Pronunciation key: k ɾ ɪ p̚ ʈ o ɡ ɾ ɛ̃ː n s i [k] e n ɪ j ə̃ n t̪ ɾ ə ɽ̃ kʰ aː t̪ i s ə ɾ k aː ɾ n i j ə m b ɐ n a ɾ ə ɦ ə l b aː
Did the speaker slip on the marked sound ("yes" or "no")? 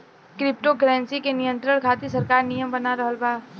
no